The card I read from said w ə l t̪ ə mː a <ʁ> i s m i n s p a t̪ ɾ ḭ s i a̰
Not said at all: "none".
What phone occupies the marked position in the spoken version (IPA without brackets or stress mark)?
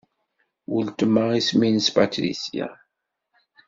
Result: ʁ